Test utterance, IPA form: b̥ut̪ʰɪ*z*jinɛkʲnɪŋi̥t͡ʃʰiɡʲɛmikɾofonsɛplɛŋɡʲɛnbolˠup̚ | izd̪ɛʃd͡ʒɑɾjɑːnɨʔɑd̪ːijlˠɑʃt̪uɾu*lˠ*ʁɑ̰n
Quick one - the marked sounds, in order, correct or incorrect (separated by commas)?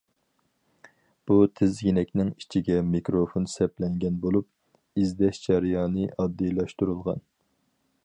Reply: correct, correct